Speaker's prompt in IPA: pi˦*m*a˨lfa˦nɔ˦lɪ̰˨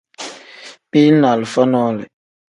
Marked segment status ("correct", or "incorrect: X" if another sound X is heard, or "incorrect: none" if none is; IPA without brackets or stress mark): incorrect: n